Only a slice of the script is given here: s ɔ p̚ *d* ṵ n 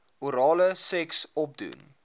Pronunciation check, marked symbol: correct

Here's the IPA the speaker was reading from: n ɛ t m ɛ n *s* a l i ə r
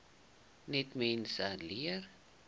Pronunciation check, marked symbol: correct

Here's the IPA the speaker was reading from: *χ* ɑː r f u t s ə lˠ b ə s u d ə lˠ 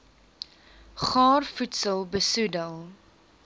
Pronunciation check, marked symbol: correct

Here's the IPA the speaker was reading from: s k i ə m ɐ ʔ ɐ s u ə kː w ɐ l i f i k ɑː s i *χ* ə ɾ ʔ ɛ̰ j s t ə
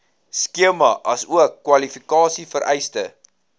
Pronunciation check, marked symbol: incorrect: f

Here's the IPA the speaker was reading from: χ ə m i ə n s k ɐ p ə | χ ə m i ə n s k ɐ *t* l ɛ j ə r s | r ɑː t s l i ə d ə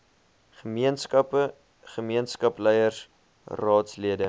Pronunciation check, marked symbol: incorrect: p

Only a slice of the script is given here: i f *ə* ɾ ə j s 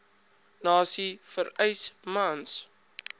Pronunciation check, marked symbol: correct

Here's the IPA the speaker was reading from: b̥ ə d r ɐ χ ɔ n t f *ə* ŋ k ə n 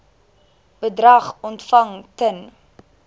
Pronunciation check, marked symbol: incorrect: ɐ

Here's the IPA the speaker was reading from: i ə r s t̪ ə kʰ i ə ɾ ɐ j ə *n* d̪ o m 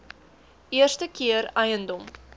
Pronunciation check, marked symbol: correct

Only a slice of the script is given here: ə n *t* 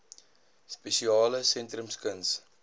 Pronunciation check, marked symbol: incorrect: s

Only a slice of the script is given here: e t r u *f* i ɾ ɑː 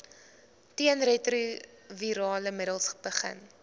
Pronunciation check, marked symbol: incorrect: v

